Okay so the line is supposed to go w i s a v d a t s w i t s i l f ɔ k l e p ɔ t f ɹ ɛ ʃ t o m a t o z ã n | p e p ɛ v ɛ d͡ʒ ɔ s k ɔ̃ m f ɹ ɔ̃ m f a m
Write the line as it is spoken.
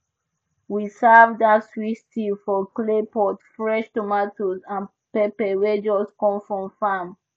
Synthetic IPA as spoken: w i s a v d a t s w i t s i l f ɔ k l e p ɔ t f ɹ ɛ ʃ t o m a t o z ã n | p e p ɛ w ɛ d͡ʒ ɔ s k ɔ̃ m f ɹ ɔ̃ m f a m